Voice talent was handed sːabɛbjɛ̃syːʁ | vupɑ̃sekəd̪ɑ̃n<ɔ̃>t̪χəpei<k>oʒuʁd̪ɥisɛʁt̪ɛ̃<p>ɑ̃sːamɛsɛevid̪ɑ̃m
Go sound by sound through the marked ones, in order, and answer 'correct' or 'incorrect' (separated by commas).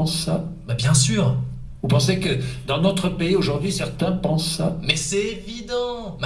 incorrect, incorrect, correct